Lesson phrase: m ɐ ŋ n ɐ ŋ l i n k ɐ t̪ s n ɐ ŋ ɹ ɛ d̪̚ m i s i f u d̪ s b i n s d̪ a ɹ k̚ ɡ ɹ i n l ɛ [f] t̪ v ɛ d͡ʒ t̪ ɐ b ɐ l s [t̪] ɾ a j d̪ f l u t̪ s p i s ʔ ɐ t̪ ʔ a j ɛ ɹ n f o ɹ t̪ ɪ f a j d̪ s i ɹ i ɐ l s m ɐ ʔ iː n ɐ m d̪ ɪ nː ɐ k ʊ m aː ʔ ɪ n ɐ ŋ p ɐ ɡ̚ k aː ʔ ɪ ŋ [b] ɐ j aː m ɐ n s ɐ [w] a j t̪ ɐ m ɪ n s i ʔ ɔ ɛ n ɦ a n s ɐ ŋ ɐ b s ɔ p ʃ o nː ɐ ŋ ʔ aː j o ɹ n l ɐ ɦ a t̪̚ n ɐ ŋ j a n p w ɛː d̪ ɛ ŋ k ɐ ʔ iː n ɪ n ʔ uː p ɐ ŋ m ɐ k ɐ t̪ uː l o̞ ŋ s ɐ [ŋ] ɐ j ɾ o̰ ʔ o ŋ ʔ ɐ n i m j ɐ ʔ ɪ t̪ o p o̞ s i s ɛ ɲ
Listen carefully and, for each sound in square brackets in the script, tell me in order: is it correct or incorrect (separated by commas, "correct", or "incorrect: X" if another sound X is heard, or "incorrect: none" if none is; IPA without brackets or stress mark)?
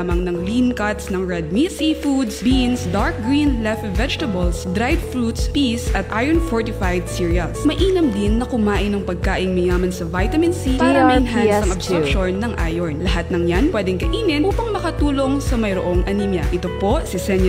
correct, incorrect: d̪, incorrect: m, incorrect: v, incorrect: m